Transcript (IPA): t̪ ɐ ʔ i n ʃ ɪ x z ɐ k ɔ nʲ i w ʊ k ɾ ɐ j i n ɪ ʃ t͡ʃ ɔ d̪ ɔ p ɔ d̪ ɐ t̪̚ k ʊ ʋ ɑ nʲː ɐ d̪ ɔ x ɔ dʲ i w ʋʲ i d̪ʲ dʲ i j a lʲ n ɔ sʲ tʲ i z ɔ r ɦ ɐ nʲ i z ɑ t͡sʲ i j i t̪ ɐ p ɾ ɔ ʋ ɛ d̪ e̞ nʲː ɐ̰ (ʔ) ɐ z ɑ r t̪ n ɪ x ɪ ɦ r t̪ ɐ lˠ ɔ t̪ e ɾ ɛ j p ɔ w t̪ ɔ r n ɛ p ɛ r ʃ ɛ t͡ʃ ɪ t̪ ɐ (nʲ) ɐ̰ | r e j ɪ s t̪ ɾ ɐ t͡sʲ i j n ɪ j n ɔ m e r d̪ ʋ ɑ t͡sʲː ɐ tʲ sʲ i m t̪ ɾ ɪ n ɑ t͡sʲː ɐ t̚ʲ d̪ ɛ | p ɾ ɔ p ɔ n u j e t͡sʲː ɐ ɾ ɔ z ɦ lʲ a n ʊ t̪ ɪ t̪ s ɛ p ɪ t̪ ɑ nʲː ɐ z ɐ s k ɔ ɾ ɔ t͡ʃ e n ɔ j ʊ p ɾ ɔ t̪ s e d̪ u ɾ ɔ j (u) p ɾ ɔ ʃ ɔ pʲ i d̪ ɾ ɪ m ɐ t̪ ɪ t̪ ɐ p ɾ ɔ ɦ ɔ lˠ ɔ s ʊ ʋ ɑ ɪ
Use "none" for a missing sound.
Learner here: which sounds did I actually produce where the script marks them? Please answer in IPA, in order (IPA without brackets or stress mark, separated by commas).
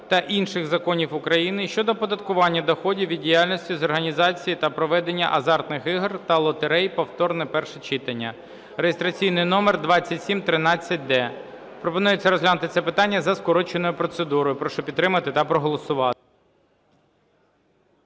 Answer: ʔ, nʲː, ʊ